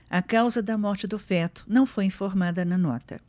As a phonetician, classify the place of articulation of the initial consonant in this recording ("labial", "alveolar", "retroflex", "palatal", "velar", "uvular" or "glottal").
velar